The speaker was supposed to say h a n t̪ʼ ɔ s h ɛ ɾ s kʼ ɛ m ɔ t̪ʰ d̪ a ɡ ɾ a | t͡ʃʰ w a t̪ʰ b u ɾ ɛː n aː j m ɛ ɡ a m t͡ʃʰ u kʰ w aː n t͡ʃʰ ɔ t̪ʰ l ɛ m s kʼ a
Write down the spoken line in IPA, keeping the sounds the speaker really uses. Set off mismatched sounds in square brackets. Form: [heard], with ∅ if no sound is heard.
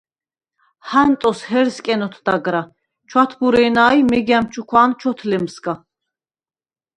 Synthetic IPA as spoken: h a n t̪ʼ ɔ s h ɛ ɾ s kʼ ɛ [n] ɔ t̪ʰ d̪ a ɡ ɾ a | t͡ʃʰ w a t̪ʰ b u ɾ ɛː n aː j m ɛ ɡ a m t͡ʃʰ u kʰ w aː n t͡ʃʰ ɔ t̪ʰ l ɛ m s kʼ a